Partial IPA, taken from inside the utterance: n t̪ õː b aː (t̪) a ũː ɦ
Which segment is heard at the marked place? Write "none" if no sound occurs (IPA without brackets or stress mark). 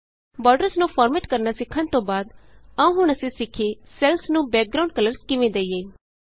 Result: d̪